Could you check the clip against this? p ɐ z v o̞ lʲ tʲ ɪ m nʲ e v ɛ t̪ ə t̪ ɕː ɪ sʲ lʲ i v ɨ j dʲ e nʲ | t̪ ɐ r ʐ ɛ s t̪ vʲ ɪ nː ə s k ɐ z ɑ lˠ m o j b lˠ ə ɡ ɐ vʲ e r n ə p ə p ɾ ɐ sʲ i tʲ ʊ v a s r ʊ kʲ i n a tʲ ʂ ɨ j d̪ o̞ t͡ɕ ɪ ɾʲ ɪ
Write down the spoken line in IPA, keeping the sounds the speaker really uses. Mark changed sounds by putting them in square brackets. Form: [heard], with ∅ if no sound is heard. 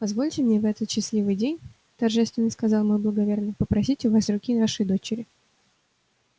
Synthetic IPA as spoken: p ɐ z v o̞ lʲ tʲ ɪ m nʲ e v ɛ t̪ ə t̪ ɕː ɪ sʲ lʲ i v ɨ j dʲ e nʲ | t̪ ɐ r ʐ ɛ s t̪ vʲ ɪ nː ə s k ɐ z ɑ lˠ m o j b lˠ ə ɡ ɐ vʲ e r n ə p ə p ɾ ɐ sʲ i tʲ ʊ v a s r ʊ kʲ i n a [∅] ʂ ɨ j d̪ o̞ t͡ɕ ɪ ɾʲ ɪ